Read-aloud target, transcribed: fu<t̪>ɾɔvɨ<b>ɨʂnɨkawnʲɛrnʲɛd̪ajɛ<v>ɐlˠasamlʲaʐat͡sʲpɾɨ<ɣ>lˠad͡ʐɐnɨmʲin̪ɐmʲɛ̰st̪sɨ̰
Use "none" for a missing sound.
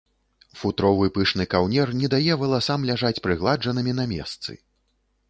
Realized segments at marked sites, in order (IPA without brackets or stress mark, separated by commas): t̪, p, v, ɣ